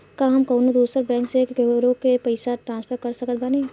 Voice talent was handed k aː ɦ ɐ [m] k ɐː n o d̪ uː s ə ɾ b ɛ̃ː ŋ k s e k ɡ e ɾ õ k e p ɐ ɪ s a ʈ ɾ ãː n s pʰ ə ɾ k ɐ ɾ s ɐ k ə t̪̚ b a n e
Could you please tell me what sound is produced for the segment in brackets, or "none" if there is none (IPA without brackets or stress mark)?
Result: m